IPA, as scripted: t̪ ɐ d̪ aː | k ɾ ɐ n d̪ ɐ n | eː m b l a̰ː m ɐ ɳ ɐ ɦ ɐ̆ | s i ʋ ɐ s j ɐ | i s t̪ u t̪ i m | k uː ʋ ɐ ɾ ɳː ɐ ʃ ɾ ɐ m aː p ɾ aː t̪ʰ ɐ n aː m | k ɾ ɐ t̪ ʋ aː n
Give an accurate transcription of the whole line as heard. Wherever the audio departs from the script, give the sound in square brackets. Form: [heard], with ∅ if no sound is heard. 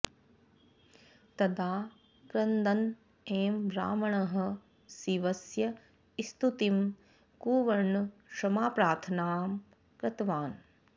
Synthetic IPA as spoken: t̪ ɐ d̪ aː | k ɾ ɐ n d̪ ɐ n | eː m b [ɾ] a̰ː m ɐ ɳ ɐ ɦ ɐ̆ | s i ʋ ɐ s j ɐ | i s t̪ u t̪ i m | k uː ʋ ɐ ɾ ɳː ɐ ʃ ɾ ɐ m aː p ɾ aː t̪ʰ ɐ n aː m | k ɾ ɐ t̪ ʋ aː n